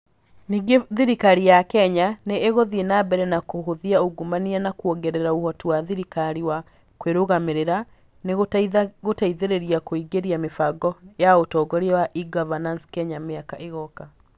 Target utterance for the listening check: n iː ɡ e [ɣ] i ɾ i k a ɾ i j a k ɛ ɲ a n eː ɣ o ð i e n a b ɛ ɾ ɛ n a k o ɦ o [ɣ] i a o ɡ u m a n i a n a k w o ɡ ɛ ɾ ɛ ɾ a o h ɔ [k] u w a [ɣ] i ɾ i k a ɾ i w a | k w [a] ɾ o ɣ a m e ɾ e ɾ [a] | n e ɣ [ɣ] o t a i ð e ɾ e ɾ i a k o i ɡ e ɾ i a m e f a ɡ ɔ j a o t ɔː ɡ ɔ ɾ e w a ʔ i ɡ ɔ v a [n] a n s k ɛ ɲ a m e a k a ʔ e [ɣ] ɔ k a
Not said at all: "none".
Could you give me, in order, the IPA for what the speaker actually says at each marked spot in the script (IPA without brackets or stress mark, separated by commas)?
ð, ð, t, ð, e, a, ɣ, n, ɣ